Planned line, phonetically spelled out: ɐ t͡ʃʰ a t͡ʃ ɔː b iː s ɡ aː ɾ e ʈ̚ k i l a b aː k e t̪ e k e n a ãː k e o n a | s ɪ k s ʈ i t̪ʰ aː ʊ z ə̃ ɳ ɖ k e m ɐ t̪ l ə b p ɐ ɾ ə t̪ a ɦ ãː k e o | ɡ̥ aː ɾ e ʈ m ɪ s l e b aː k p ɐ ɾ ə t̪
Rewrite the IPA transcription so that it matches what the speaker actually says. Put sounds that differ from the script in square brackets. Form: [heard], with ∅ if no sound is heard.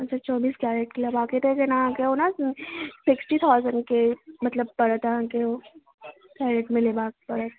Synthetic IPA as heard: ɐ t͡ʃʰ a t͡ʃ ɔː b iː s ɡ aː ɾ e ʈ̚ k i l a b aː k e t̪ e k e n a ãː k e o n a | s ɪ k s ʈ i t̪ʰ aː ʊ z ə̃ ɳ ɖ k e m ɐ t̪ l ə b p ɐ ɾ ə t̪ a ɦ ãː k e o | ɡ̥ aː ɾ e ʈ m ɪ [∅] l e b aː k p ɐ ɾ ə t̪

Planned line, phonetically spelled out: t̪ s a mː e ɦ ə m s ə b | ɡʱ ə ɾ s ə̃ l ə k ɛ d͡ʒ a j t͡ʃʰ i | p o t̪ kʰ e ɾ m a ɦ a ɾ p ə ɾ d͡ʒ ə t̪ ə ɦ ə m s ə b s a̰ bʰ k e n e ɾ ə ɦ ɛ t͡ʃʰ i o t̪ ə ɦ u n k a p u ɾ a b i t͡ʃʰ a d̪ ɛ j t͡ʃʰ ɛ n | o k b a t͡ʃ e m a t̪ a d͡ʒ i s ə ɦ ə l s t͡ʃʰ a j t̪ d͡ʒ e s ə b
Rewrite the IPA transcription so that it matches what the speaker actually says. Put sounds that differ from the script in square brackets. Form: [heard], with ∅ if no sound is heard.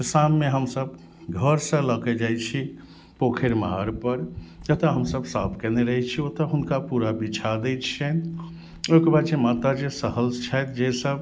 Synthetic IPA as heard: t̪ s a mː e ɦ ə m s ə b | ɡʱ ə ɾ s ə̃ l ə k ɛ d͡ʒ a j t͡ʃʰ i | p o [∅] kʰ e ɾ m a ɦ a ɾ p ə ɾ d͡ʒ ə t̪ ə ɦ ə m s ə b s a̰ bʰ k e n e ɾ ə ɦ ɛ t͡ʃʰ i o t̪ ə ɦ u n k a p u ɾ a b i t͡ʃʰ a d̪ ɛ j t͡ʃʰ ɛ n | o k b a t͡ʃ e m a t̪ a d͡ʒ [e] s ə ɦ ə l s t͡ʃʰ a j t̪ d͡ʒ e s ə b

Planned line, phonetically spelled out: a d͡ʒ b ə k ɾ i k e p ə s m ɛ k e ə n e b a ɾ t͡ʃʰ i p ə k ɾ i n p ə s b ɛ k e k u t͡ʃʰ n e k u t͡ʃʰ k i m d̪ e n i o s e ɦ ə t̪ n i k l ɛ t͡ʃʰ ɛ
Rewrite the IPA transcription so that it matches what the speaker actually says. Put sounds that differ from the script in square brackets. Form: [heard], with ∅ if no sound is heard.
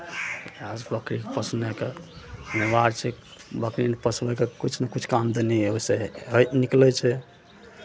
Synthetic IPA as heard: a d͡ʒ b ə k ɾ i k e p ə s [n] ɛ k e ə n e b a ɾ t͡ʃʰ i [b] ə k ɾ i n p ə s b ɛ k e k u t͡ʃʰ n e k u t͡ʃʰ k [a] m d̪ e n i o s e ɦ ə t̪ n i k l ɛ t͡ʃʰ ɛ

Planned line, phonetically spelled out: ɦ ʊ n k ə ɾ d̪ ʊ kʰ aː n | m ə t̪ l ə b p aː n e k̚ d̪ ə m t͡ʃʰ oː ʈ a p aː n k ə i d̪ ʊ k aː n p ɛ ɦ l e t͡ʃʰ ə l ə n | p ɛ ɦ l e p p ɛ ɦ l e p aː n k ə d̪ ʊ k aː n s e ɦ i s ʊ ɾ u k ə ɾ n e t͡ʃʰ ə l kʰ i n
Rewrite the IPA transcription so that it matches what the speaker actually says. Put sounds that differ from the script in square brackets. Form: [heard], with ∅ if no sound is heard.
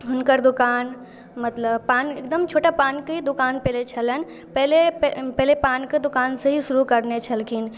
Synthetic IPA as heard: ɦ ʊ n k ə ɾ d̪ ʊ [k] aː n | m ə t̪ l ə b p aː n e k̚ d̪ ə m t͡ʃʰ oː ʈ a p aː n k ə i d̪ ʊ k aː n p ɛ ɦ l e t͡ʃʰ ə l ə n | p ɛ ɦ l e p p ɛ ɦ l e p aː n k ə d̪ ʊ k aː n s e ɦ i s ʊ ɾ u k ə ɾ n e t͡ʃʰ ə l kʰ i n

